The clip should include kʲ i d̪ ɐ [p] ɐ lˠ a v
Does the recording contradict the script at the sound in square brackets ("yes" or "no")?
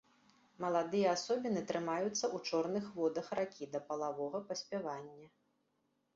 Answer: no